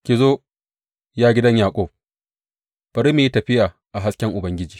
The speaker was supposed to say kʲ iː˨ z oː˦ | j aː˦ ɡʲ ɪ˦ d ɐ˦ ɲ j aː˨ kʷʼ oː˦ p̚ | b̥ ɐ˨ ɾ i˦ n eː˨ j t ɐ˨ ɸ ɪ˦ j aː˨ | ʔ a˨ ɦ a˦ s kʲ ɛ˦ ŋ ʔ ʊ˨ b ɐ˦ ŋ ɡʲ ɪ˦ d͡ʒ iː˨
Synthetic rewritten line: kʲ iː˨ z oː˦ | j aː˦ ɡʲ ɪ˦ d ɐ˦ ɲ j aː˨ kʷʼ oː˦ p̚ | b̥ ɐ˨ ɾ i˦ m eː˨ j t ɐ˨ ɸ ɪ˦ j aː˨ | ʔ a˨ ɦ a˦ s kʲ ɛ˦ ŋ ʔ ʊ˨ b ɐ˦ ŋ ɡʲ ɪ˦ d͡ʒ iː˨